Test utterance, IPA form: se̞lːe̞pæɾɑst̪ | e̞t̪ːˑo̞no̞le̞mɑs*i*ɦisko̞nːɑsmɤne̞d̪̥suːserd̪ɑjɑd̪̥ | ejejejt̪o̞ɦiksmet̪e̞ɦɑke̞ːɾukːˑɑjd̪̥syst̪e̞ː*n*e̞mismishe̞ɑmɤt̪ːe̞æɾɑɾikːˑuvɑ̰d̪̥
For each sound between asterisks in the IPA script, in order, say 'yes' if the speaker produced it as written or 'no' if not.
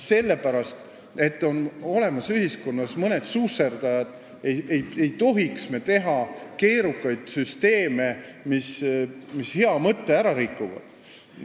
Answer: no, no

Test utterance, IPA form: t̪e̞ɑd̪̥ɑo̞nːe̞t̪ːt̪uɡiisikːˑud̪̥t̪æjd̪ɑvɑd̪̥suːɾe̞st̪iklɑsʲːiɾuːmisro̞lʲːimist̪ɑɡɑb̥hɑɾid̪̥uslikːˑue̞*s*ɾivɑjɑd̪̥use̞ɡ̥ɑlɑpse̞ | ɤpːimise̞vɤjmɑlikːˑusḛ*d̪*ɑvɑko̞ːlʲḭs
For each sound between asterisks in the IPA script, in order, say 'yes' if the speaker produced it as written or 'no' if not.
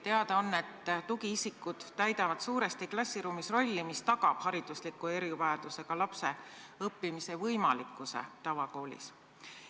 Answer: no, no

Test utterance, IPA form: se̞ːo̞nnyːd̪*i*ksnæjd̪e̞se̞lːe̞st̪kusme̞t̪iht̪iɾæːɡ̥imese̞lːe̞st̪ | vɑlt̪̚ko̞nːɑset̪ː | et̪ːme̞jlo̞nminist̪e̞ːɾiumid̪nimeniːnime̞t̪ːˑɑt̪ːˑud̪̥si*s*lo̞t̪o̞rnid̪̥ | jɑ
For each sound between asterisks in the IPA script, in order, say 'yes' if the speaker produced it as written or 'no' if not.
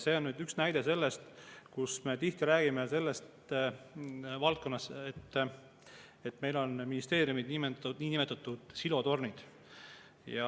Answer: no, no

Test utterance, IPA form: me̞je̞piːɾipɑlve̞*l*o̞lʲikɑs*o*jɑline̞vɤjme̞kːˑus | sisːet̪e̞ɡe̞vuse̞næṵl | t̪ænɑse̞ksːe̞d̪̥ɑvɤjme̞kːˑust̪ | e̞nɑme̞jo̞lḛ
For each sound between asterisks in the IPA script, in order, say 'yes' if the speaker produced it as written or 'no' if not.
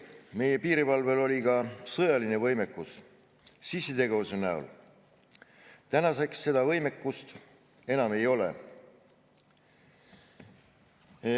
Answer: yes, no

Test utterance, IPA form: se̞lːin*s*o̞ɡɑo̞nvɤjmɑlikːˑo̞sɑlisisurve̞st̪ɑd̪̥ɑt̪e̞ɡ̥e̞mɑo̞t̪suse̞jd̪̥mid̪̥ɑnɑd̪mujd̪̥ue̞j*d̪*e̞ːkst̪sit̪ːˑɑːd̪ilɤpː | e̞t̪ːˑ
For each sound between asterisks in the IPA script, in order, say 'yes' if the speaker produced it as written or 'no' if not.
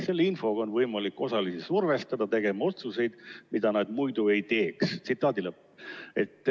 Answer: no, no

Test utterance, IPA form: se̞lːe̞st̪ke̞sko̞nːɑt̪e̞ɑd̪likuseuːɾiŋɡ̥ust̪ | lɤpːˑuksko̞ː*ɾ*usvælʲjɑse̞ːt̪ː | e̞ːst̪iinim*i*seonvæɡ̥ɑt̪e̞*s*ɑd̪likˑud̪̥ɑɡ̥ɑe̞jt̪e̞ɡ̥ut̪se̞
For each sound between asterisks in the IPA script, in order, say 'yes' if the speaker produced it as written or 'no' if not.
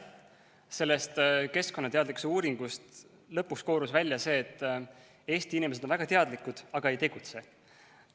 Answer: yes, no, no

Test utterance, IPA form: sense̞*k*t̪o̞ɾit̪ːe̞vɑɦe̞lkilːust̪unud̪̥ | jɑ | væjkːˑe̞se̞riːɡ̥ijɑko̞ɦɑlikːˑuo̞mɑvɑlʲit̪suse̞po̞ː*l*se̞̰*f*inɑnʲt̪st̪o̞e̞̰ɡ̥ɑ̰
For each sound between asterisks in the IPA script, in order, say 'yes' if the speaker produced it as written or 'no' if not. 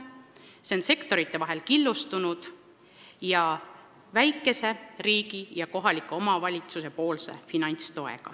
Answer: yes, yes, yes

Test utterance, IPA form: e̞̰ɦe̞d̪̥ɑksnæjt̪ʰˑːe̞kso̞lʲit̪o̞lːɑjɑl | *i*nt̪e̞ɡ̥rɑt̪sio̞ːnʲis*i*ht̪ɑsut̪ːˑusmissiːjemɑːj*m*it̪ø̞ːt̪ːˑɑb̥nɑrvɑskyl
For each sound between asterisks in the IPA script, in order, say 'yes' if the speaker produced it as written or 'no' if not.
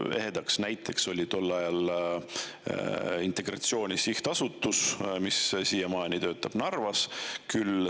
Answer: yes, yes, no

